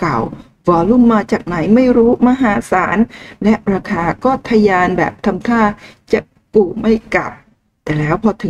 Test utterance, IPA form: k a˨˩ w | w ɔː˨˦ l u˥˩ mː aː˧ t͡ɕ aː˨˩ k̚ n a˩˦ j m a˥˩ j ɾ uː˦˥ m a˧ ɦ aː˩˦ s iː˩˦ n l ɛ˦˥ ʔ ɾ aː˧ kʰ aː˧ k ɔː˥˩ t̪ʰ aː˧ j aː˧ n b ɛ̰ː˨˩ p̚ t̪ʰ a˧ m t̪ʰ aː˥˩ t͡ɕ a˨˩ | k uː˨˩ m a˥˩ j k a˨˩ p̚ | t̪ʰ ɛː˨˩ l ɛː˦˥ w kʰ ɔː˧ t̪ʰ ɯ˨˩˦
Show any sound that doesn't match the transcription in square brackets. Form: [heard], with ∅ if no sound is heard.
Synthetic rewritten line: k a˨˩ w | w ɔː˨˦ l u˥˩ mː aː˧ t͡ɕ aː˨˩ k̚ n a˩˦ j m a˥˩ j ɾ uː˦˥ m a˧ ɦ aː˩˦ s [aː˩˦] n l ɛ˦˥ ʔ ɾ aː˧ kʰ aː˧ k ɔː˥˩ t̪ʰ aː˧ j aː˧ n b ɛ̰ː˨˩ p̚ t̪ʰ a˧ m t̪ʰ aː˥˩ t͡ɕ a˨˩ | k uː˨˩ m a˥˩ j k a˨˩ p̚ | [t̪] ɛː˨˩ l ɛː˦˥ w [pʰ] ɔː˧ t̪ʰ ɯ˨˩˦